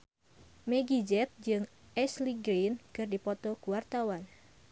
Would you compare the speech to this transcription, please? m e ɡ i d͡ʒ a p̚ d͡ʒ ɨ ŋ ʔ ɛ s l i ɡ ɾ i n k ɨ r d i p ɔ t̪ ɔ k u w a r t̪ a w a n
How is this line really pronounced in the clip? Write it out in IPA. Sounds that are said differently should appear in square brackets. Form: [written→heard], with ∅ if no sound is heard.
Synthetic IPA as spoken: m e ɡ i d͡ʒ [a→ɛ] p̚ d͡ʒ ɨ ŋ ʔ ɛ s l i ɡ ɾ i n k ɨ r d i p ɔ t̪ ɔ k u w a r t̪ a w a n